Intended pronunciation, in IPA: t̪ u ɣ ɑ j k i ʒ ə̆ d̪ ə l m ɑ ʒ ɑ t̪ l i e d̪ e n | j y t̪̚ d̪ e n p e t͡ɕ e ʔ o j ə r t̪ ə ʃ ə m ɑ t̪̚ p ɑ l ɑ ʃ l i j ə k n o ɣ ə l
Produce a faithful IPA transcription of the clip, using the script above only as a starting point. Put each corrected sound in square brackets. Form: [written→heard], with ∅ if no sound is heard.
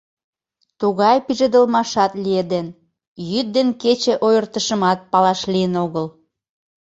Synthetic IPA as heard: t̪ u ɣ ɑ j [k→p] i ʒ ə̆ d̪ ə l m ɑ [ʒ→ʃ] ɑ t̪ l i e d̪ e n | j y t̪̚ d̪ e n [p→k] e t͡ɕ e ʔ o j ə r t̪ ə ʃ ə m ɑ t̪̚ p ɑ l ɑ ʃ l i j ə [k→∅] n o ɣ ə l